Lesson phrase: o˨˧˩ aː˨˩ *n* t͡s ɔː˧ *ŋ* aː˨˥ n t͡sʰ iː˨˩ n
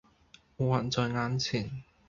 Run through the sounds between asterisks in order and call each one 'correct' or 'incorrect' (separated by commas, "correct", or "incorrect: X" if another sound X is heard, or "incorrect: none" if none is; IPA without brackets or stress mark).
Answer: correct, correct